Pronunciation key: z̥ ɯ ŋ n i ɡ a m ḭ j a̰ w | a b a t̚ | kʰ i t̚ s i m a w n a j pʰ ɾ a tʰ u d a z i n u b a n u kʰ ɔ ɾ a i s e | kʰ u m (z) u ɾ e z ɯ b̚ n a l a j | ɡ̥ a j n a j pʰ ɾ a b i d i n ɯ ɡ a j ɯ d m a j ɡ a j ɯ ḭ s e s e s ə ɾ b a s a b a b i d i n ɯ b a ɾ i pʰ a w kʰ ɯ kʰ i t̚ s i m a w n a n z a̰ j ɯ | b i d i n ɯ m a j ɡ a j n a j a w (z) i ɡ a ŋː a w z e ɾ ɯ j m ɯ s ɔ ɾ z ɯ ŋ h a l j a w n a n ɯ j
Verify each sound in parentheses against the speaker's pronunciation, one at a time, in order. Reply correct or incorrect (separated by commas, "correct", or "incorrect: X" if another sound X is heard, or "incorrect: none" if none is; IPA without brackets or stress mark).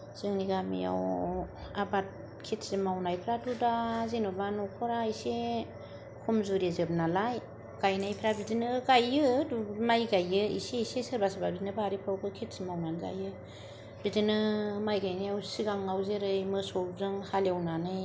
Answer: correct, incorrect: s